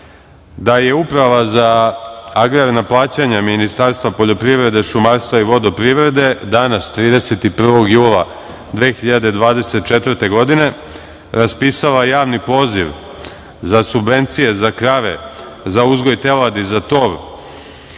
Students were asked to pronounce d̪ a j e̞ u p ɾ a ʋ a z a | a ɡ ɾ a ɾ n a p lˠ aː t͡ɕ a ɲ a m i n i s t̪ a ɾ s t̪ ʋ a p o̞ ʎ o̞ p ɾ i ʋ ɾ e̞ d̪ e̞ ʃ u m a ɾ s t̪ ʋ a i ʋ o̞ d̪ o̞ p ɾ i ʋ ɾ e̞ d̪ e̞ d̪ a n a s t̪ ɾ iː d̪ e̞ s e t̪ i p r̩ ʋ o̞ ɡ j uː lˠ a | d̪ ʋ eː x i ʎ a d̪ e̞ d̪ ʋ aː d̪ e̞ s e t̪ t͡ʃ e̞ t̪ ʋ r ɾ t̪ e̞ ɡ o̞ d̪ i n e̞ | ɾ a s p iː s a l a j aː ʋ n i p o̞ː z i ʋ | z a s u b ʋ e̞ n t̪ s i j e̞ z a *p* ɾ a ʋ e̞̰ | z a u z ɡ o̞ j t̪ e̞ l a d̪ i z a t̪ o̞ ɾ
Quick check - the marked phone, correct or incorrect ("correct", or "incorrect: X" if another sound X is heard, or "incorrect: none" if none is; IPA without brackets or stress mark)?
incorrect: k